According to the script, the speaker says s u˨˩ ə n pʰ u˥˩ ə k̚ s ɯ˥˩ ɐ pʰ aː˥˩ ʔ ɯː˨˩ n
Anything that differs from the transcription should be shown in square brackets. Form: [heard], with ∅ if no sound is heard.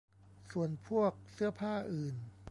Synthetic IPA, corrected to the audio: s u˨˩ ə n pʰ u˥˩ ə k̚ s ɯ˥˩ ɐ pʰ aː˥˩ ʔ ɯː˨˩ n